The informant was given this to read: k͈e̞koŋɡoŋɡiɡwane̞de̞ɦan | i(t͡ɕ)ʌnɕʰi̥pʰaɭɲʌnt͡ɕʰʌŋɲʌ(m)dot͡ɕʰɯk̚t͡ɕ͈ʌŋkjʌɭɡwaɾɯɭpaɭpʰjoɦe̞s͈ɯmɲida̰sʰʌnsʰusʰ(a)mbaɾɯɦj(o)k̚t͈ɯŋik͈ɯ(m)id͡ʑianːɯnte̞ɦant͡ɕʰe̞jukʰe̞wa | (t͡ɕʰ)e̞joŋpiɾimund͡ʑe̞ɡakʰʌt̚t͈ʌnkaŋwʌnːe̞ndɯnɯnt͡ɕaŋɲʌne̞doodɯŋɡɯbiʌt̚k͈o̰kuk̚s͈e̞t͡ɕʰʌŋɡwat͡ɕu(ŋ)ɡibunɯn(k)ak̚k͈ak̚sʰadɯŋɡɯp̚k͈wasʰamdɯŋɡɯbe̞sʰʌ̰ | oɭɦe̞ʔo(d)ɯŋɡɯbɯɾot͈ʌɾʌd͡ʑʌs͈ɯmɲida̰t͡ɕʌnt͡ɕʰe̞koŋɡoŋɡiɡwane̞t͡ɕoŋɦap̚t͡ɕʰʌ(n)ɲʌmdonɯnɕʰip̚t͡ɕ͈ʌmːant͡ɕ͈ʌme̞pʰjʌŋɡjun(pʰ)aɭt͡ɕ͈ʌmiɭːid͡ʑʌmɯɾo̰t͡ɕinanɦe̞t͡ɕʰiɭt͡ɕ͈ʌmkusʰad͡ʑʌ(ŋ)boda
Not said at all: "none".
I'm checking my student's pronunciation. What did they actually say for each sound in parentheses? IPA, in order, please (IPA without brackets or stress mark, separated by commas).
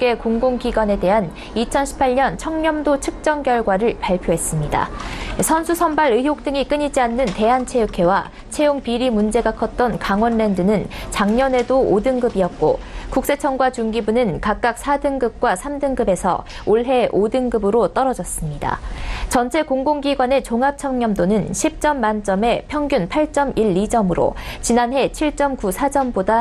t͡ɕʰ, m, ʌ, o, ɲ, t͡ɕʰ, ŋ, k, d, ŋ, pʰ, m